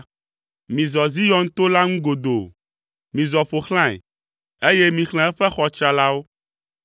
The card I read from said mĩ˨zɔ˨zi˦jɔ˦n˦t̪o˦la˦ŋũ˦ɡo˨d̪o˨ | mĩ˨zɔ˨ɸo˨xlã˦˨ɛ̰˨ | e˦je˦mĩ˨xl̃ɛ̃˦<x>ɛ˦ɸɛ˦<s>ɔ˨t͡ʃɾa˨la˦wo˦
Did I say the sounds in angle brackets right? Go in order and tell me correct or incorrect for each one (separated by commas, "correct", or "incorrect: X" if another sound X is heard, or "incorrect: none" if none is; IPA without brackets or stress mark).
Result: incorrect: none, incorrect: x